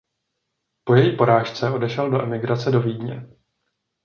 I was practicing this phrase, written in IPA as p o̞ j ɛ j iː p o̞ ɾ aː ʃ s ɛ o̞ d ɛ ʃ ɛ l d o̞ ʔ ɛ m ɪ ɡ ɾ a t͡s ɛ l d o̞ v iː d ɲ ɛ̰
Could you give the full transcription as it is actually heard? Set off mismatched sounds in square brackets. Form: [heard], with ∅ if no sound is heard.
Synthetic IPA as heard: p o̞ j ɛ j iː p o̞ ɾ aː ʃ [t͡s] ɛ o̞ d ɛ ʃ ɛ l d o̞ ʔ ɛ m ɪ ɡ ɾ a t͡s ɛ [∅] d o̞ v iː d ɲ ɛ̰